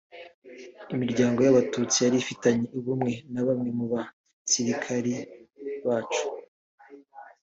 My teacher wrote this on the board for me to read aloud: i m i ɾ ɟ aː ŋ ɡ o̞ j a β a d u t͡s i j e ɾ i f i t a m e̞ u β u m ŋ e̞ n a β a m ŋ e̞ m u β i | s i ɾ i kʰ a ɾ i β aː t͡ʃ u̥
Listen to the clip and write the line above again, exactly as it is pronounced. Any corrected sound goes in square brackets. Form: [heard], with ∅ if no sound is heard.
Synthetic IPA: i m i ɾ ɟ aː ŋ ɡ o̞ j a β a [t] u t͡s i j [a] ɾ i f i t a [ɲ] e̞ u β u m ŋ e̞ n a β a m ŋ e̞ m u β [a] | s i ɾ i kʰ a ɾ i β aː t͡ʃ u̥